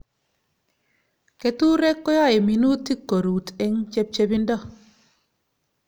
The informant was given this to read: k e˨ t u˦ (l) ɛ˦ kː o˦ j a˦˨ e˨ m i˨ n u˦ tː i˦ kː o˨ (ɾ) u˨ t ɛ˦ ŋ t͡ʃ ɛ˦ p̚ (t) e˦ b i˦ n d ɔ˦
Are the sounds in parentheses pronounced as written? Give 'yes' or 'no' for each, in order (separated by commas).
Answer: no, yes, no